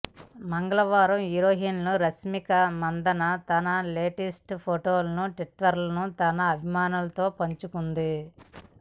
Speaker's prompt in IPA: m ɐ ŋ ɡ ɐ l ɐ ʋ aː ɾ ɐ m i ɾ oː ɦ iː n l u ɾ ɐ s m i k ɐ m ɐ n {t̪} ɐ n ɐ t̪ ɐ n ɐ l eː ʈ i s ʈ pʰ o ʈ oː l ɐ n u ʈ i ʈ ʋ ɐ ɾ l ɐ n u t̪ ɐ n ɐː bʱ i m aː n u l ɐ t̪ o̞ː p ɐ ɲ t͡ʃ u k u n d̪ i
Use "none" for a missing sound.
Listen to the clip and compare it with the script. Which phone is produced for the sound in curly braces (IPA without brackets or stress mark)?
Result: d̪